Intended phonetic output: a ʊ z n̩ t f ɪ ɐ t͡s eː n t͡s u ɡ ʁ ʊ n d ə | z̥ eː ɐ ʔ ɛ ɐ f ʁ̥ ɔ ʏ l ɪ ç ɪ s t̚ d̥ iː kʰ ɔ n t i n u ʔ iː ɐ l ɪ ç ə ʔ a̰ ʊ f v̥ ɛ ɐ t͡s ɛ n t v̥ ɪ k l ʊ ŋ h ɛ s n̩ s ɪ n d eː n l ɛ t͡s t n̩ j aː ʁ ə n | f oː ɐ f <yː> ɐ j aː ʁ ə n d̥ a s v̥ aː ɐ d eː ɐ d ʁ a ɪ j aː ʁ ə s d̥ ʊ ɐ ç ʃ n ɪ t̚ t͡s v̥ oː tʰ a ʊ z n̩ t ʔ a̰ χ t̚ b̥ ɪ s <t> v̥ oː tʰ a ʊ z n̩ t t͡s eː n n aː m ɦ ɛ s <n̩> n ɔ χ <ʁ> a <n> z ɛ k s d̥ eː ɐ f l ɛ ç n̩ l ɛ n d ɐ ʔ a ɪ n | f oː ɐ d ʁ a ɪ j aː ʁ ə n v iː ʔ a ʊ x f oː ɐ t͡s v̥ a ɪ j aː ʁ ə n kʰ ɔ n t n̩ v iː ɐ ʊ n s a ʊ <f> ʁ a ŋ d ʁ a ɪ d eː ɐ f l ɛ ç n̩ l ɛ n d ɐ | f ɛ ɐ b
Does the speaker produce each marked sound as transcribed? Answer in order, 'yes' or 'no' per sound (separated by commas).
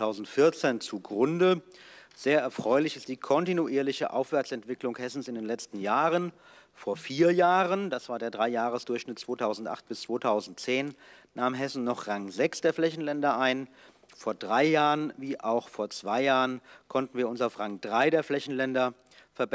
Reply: no, no, yes, yes, no, yes